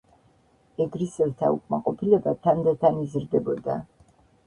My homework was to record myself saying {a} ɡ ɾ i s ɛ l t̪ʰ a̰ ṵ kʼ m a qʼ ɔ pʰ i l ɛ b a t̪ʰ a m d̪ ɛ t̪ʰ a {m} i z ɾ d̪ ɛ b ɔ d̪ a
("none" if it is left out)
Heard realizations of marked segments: ɛ, n

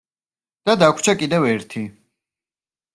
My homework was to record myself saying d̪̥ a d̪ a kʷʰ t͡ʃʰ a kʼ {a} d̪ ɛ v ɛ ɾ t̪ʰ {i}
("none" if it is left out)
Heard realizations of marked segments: i, i

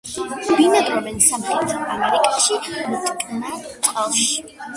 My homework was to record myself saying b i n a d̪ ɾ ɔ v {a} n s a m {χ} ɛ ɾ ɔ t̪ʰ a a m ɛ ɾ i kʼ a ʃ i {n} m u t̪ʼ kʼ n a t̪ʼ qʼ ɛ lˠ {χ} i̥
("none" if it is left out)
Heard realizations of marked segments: ɛ, χ, none, ʃ

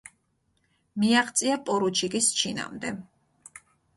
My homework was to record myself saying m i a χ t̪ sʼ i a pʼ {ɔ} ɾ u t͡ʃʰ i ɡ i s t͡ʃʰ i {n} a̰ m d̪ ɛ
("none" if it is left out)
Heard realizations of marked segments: ɔ, n

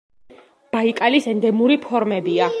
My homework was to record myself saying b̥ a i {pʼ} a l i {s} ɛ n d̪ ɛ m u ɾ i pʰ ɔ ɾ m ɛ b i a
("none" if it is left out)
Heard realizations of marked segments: kʼ, s

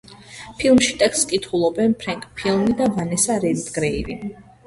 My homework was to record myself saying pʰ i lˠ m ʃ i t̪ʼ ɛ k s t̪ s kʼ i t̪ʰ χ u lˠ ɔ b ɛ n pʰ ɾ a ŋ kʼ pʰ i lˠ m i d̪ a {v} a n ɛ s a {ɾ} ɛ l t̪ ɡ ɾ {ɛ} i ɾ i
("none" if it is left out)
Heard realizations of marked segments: v, ɾ, ɛ

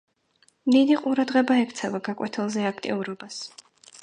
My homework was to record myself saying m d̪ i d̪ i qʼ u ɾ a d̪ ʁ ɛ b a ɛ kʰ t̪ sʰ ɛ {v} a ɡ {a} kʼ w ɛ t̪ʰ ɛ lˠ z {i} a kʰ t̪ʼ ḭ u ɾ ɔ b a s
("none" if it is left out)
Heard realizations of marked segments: v, a, ɛ

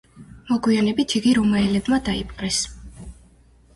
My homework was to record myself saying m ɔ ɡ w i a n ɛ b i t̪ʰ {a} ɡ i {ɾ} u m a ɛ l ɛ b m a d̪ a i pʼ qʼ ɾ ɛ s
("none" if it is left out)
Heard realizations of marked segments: i, ɾ

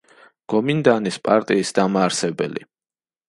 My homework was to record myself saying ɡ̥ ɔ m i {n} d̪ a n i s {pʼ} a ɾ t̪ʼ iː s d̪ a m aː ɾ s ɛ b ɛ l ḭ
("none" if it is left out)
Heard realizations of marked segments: n, pʼ

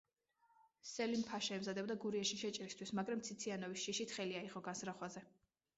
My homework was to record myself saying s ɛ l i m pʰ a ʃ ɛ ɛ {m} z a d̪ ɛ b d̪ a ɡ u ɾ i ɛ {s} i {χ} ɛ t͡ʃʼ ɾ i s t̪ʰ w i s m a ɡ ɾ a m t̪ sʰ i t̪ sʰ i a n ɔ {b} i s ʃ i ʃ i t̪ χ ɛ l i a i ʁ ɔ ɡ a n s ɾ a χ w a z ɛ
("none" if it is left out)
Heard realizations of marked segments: m, ʃ, ʃ, v

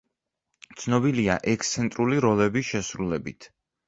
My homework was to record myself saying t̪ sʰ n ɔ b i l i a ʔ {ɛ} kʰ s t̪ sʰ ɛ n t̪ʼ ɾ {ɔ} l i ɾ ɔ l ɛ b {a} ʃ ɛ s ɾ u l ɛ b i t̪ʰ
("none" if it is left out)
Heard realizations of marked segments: ɛ, u, i

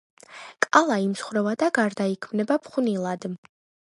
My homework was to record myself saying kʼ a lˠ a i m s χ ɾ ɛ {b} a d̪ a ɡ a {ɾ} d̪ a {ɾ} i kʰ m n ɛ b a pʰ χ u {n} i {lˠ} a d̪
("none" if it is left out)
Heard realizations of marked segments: v, ɾ, none, n, lˠ

